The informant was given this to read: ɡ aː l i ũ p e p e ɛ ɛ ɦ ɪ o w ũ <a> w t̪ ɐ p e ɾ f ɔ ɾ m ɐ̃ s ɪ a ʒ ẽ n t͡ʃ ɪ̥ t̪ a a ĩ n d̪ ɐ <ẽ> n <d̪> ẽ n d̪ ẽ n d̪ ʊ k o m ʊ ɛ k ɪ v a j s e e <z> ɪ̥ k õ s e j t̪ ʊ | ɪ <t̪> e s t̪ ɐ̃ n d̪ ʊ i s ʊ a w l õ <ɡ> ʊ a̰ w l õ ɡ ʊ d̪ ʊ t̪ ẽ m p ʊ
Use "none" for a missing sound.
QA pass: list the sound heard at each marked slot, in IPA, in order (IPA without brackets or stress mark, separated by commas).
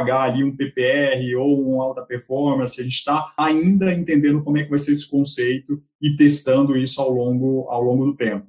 a, ẽ, t̪, s, t̪, ɡ